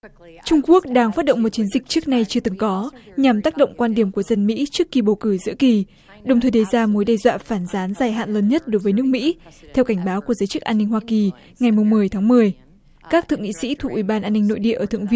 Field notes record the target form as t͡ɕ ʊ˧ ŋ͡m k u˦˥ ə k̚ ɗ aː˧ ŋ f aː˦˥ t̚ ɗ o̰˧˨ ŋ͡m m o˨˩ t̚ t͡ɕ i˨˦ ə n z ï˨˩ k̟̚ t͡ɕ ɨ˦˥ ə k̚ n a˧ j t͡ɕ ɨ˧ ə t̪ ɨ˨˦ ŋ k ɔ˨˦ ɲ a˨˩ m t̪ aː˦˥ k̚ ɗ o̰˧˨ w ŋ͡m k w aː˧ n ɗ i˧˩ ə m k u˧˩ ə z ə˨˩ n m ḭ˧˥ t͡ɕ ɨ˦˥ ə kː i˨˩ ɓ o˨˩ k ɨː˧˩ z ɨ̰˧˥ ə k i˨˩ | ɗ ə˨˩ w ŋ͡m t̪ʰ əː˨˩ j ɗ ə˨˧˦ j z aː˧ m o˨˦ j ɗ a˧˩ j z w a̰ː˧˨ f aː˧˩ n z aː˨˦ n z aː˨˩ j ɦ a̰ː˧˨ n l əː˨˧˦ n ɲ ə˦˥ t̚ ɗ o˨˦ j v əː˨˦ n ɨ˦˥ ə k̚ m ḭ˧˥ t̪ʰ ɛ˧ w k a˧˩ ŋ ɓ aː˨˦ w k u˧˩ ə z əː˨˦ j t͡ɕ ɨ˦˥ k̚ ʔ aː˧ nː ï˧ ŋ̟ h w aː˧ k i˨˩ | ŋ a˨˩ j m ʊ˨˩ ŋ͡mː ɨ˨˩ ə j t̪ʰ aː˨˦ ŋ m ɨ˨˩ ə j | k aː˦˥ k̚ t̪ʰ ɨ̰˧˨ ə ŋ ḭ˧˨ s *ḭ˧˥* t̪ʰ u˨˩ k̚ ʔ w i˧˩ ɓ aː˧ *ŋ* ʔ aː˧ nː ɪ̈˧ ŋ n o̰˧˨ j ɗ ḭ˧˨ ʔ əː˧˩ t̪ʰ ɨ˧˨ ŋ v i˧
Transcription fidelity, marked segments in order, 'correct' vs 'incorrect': correct, incorrect: n

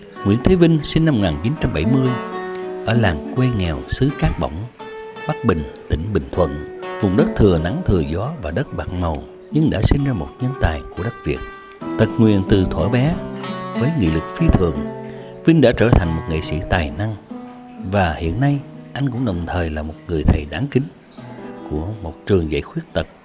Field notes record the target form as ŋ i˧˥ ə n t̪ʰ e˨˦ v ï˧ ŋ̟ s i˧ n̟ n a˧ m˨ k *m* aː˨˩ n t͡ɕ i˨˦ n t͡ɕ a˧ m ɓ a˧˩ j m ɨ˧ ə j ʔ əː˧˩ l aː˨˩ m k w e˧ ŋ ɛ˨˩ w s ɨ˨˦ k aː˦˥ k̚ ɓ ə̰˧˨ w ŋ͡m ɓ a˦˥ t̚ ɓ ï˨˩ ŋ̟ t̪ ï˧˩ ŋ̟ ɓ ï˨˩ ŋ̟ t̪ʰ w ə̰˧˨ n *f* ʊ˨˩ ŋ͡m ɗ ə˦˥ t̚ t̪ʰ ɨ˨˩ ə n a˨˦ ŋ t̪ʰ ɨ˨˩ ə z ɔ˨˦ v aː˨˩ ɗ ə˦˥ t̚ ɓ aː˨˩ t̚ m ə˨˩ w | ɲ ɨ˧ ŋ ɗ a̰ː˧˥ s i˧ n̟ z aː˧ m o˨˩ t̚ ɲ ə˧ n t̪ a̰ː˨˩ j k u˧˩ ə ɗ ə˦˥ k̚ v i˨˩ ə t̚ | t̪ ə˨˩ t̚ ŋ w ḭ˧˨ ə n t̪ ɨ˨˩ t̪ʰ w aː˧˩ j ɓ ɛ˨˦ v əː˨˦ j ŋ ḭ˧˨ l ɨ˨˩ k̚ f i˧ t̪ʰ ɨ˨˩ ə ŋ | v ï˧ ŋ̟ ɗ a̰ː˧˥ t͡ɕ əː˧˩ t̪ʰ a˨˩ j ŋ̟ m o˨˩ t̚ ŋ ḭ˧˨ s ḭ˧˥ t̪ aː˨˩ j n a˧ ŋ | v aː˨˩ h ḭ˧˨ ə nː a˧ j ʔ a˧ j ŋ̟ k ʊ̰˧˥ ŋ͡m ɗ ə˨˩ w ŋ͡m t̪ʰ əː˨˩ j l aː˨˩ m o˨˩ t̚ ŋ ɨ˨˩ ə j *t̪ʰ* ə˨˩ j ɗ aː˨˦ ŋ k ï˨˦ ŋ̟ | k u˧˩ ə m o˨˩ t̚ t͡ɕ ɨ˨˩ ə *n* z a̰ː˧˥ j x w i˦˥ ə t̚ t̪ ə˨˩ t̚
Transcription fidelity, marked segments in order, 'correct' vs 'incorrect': incorrect: ŋ, incorrect: v, correct, incorrect: ŋ

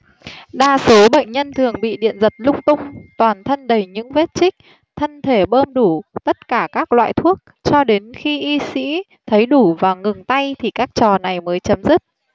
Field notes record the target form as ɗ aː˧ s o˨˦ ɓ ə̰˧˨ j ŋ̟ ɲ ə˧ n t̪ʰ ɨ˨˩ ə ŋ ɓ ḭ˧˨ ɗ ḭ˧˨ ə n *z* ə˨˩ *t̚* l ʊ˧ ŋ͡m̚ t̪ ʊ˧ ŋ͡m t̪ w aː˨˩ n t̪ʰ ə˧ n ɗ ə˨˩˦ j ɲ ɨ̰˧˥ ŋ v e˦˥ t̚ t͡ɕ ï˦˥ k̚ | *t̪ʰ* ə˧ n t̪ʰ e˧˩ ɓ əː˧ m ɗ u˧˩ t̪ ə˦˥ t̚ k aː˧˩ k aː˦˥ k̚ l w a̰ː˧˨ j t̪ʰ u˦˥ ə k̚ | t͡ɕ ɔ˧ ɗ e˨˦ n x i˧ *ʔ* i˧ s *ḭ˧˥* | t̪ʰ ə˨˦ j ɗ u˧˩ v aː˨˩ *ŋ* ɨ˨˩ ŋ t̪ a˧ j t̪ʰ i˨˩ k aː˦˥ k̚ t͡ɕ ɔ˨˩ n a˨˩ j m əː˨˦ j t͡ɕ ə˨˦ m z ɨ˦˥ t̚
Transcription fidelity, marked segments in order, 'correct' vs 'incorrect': correct, correct, correct, correct, correct, correct

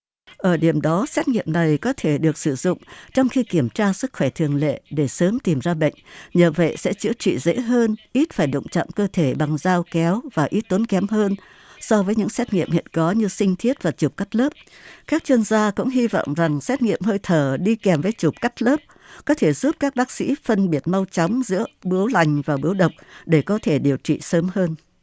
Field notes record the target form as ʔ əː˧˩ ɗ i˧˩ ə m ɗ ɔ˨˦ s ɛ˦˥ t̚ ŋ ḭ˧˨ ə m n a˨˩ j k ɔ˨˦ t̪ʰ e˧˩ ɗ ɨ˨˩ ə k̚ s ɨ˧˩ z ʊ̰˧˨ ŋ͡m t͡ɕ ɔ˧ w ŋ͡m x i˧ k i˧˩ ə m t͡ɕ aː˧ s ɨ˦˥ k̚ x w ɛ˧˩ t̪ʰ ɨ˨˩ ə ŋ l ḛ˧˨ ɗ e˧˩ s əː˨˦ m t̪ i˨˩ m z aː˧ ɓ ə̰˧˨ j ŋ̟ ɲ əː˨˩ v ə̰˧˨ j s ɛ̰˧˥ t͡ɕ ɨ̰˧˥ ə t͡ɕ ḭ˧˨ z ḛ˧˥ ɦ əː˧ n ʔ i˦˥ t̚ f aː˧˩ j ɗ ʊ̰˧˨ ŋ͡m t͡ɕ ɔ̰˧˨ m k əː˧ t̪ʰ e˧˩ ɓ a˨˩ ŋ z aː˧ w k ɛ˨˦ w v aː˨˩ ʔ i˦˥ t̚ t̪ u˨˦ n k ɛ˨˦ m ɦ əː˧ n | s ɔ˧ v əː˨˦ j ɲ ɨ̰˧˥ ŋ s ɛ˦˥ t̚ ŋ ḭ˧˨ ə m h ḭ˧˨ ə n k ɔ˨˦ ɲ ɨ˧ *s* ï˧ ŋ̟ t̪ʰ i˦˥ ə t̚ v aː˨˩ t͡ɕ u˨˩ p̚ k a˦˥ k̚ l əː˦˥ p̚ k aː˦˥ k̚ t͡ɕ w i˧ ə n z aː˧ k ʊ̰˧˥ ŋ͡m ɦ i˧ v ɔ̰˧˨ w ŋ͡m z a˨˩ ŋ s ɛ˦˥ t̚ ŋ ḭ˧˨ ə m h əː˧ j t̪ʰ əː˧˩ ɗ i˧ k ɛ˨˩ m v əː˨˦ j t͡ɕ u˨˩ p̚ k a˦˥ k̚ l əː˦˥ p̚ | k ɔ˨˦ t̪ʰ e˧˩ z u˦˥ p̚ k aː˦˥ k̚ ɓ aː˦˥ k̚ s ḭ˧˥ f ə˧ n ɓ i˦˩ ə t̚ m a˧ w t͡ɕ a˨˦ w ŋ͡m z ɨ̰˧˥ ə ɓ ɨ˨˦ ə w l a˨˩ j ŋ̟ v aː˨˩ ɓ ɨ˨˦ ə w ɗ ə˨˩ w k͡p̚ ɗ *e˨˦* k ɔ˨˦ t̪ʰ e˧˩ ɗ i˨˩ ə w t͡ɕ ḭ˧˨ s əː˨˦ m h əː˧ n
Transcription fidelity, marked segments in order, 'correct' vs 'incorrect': correct, incorrect: e˧˩

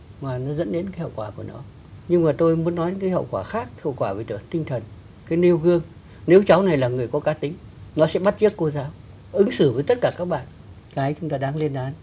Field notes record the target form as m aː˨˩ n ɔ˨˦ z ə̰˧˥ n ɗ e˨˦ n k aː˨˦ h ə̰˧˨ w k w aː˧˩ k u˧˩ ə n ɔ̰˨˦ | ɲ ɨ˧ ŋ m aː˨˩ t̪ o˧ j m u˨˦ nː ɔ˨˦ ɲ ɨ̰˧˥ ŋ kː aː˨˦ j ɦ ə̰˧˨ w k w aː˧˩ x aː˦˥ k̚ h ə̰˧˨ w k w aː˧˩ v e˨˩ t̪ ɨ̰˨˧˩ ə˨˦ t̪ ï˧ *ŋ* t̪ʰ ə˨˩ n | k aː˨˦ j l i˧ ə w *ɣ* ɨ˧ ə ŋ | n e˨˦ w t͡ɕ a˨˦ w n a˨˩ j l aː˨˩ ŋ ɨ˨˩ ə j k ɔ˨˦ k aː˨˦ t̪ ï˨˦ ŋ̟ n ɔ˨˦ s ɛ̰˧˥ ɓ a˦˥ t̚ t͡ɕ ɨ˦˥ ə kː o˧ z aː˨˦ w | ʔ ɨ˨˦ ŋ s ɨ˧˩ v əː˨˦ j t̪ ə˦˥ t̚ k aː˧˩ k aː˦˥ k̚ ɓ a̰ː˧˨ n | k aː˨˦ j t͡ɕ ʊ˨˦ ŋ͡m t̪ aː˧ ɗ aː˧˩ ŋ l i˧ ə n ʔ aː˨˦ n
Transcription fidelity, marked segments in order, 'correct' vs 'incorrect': correct, correct

